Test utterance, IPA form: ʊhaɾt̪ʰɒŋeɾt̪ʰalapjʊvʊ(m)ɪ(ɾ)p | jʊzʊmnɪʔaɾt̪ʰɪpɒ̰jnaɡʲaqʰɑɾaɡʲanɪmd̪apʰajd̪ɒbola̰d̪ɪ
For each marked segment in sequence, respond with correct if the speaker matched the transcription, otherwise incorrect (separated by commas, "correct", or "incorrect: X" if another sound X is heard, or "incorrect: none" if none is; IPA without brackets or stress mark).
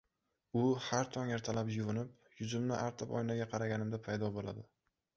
incorrect: n, incorrect: none